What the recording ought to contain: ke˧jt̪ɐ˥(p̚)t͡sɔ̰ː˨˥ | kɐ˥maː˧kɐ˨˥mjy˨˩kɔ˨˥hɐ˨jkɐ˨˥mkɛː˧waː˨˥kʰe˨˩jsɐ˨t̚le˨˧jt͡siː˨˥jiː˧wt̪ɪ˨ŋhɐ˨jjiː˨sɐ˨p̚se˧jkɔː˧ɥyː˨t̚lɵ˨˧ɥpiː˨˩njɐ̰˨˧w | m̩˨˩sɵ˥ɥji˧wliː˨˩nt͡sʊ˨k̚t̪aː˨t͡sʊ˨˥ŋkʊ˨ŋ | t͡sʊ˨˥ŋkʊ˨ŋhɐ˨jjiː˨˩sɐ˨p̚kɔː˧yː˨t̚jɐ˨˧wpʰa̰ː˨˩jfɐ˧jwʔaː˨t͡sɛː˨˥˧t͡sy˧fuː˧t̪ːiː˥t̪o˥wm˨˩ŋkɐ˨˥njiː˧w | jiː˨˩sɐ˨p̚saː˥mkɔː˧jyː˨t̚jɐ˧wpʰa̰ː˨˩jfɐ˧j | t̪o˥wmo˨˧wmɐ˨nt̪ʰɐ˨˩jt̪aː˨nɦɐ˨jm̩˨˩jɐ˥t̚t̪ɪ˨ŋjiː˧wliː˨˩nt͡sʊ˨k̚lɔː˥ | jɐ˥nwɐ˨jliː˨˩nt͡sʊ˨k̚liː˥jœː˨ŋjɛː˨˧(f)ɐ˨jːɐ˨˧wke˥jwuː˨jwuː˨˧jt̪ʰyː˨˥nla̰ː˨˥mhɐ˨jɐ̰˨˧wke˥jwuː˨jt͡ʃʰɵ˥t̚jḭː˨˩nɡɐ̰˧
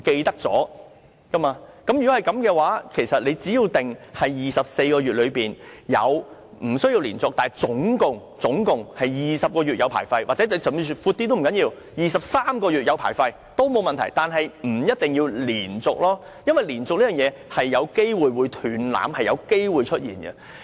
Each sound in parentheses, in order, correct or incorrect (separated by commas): incorrect, incorrect